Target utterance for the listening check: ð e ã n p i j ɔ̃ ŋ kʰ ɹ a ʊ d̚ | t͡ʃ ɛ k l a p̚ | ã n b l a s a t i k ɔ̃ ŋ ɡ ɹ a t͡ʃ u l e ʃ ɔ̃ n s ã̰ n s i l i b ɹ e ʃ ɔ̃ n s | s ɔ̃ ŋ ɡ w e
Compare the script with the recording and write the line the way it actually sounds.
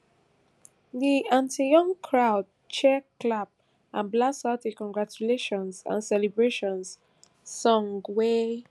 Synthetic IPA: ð i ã n t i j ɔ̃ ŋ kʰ ɹ a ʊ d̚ | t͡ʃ ɛ k l a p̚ | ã n b l a s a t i k ɔ̃ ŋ ɡ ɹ a t͡ʃ u l e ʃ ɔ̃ n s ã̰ n s ɛ l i b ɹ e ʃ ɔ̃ n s | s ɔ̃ ŋ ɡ w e